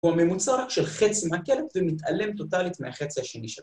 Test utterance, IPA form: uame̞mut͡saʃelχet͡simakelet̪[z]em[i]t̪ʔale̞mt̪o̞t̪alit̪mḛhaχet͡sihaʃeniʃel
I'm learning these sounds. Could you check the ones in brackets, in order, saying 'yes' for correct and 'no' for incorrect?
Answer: no, yes

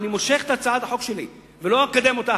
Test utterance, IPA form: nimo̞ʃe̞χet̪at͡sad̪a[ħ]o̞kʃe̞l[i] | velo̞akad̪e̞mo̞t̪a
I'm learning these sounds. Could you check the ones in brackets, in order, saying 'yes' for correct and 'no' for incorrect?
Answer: yes, yes

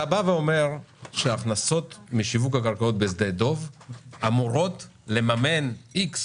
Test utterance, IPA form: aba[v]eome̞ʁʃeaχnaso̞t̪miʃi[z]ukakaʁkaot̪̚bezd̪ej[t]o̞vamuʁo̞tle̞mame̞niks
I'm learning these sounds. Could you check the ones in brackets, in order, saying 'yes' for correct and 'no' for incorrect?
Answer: yes, no, no

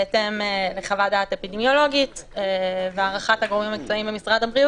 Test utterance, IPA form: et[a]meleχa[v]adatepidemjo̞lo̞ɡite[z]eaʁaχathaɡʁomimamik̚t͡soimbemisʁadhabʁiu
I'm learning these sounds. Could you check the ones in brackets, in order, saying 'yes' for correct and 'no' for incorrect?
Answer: no, yes, no

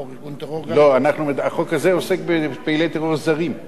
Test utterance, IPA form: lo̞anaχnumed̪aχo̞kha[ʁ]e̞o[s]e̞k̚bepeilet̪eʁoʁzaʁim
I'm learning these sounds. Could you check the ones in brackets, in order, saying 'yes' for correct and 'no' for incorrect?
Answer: no, yes

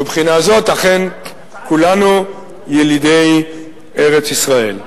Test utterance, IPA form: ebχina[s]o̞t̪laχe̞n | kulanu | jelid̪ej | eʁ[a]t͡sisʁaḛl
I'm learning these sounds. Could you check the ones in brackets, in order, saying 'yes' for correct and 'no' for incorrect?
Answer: no, no

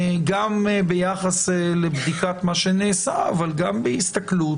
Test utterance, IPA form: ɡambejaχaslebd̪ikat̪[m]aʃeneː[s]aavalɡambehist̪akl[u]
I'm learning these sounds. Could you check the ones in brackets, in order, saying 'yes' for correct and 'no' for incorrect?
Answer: yes, yes, yes

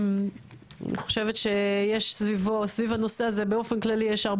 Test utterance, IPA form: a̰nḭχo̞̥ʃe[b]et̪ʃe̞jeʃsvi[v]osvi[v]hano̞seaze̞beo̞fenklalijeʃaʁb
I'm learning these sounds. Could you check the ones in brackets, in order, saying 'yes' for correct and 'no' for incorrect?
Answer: no, yes, yes

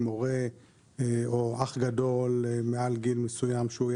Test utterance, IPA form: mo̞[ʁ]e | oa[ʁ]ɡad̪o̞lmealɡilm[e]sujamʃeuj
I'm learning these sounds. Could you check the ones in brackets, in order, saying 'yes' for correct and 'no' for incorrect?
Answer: yes, no, yes

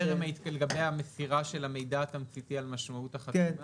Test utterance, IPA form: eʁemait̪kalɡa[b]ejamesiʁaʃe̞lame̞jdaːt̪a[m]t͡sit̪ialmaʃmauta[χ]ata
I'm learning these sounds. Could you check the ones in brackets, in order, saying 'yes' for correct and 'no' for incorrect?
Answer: yes, yes, yes

